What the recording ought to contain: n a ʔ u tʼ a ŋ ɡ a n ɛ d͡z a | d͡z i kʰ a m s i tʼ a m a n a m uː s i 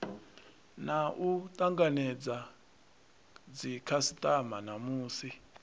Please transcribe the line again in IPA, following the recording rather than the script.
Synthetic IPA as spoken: n a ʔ u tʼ a ŋ ɡ a n ɛ d͡z a | d͡z i kʰ a s i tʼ a m a n a m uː s i